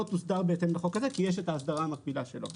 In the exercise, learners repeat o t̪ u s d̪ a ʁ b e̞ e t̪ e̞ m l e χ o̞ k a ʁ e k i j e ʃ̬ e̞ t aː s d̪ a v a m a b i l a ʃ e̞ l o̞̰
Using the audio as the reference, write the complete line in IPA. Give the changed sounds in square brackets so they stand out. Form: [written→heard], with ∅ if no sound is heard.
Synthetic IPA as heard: o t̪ u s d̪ a ʁ b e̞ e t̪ e̞ m l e χ o̞ k a [ʁ→z] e k i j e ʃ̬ e̞ t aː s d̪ a [v→ʁ] a m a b i l a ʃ e̞ l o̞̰